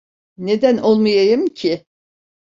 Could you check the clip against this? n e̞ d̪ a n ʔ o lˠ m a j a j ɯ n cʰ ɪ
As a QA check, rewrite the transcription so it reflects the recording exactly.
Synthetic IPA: n e̞ d̪ æ n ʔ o lˠ m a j a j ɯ m cʰ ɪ